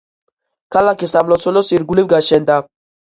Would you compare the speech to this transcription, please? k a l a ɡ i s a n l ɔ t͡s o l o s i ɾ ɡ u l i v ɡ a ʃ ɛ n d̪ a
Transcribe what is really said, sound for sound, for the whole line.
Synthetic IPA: k a l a k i s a m l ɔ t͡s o l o s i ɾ ɡ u l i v ɡ a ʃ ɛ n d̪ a

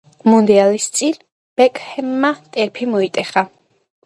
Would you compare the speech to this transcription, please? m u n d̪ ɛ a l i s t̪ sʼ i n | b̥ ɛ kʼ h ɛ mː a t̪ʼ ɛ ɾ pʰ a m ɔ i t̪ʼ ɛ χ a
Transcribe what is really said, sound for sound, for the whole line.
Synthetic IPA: m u n d̪ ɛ a l i s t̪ sʼ i n | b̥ ɛ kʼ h ɛ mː a t̪ʼ ɛ ɾ pʰ i m ɔ i t̪ʼ ɛ χ a

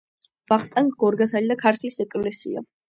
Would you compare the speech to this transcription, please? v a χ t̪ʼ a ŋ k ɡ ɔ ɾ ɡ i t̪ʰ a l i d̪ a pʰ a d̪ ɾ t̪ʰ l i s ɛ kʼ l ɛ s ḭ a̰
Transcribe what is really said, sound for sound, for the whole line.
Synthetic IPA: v a χ t̪ʼ a ŋ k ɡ ɔ ɾ ɡ a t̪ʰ a l i d̪ a kʰ a ɾ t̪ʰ l i s ɛ kʼ l ɛ s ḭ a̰

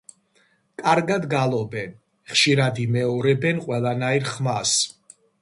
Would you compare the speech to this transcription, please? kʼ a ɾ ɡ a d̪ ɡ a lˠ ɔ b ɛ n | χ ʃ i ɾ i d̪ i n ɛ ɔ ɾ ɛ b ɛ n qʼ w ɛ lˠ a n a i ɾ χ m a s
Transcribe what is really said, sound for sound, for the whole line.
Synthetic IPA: kʼ a ɾ ɡ a d̪ ɡ a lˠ ɔ b ɛ n | χ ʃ i ɾ a d̪ i m ɛ ɔ ɾ ɛ b ɛ n qʼ w ɛ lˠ a n a i ɾ χ m a s

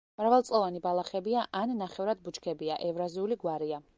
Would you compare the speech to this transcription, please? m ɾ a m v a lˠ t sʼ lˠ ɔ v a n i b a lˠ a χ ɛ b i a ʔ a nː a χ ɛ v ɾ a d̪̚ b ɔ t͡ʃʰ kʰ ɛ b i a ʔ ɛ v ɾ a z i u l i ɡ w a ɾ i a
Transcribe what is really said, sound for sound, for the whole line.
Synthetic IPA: m ɾ a v a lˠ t sʼ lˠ ɔ v a n i b a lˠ a χ ɛ b i a ʔ a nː a χ ɛ v ɾ a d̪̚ b u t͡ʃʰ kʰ ɛ b i a ʔ ɛ v ɾ a z i u l i ɡ w a ɾ i a

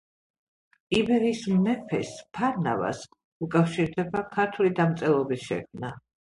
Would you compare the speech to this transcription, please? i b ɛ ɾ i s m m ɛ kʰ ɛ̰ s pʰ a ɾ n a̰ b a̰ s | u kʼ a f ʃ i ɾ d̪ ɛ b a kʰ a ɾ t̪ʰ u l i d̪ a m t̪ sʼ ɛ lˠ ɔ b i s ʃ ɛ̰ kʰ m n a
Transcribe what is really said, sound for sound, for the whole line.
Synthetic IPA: i b ɛ ɾ i s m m ɛ pʰ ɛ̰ s pʰ a ɾ n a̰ v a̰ s | u kʼ a f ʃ i ɾ d̪ ɛ b a kʰ a ɾ t̪ʰ u l i d̪ a m t̪ sʼ ɛ lˠ ɔ b i s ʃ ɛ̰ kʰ m n a

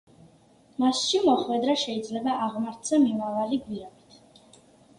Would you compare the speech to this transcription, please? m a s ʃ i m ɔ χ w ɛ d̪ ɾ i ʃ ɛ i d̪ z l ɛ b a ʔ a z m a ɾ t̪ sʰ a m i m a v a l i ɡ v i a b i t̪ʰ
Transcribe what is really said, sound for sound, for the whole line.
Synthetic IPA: m a s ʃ i m ɔ χ w ɛ d̪ ɾ a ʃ ɛ i d̪ z l ɛ b a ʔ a ʁ m a ɾ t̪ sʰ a m i m a v a l i ɡ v i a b i t̪ʰ

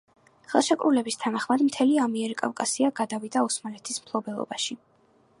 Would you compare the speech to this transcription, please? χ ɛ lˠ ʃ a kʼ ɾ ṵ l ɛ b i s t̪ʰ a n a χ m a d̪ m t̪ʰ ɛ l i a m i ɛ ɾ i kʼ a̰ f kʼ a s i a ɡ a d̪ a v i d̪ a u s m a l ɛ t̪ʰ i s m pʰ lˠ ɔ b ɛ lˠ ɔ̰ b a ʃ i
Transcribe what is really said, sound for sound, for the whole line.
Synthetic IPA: χ ɛ lˠ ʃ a kʼ ɾ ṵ l ɛ b i s t̪ʰ a n a χ m a d̪ m t̪ʰ ɛ l i a m i ɛ ɾ i kʼ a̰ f kʼ a s i a ɡ a d̪ a v i d̪ a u s m a l ɛ t̪ʰ i s m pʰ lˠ ɔ b ɛ lˠ ɔ̰ b a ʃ i

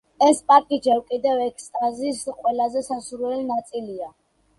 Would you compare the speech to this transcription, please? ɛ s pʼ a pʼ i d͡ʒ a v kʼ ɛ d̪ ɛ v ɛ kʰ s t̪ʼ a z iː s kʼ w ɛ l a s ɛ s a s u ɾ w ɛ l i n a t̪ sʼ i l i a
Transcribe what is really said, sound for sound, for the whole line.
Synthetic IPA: ɛ s pʼ a kʼ i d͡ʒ ɛ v kʼ i d̪ ɛ v ɛ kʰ s t̪ʼ a z i s qʼ w ɛ l a z ɛ s a s u ɾ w ɛ l i n a t̪ sʼ i l i a

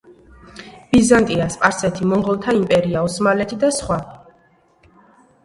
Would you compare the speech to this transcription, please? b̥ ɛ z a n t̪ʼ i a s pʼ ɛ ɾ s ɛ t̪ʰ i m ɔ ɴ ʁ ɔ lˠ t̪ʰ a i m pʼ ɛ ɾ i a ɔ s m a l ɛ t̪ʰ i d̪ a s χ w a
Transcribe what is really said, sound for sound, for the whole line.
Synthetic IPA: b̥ i z a n t̪ʼ i a s pʼ a ɾ s ɛ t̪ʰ i m ɔ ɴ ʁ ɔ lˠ t̪ʰ a i m pʼ ɛ ɾ i a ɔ s m a l ɛ t̪ʰ i d̪ a s χ w a

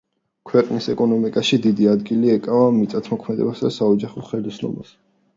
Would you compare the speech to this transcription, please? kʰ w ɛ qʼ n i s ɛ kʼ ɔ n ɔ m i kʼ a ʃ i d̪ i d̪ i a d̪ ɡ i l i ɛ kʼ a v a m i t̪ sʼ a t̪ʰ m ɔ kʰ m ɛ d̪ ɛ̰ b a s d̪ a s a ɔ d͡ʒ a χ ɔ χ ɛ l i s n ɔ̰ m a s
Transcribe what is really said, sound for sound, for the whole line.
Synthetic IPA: kʰ w ɛ qʼ n i s ɛ kʼ ɔ n ɔ m i kʼ a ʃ i d̪ i d̪ i a d̪ ɡ i l i ɛ kʼ a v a m i t̪ sʼ a t̪ʰ m ɔ kʰ m ɛ d̪ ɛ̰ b a s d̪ a s a ɔ d͡ʒ a χ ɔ χ ɛ l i s n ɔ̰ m a s

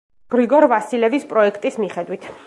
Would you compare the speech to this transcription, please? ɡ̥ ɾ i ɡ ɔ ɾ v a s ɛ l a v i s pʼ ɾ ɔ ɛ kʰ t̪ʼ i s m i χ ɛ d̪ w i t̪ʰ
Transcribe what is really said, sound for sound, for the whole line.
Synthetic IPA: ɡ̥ ɾ i ɡ ɔ ɾ v a s i l ɛ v i s pʼ ɾ ɔ ɛ kʰ t̪ʼ i s m i χ ɛ d̪ w i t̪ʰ

